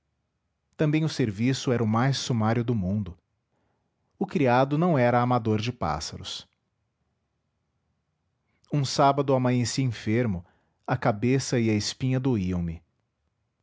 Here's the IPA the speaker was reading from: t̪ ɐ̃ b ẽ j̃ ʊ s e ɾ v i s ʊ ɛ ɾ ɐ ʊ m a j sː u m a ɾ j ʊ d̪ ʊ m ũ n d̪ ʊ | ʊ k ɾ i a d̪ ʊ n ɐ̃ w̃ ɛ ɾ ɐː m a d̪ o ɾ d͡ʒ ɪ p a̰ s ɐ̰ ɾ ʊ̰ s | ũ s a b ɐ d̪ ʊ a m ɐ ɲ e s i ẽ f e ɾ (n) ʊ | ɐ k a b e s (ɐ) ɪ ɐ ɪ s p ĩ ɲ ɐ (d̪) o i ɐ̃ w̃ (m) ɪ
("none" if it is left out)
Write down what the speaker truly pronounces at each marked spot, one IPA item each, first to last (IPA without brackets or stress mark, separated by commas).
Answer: m, ɐ, d̪, m